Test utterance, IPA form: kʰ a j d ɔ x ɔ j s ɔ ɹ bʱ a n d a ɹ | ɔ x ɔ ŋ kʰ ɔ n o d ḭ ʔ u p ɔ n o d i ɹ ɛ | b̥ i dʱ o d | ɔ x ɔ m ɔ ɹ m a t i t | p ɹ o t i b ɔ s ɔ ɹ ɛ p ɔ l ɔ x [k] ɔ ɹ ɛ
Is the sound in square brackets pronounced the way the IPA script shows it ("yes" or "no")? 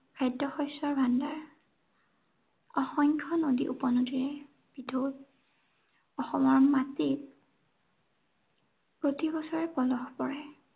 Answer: no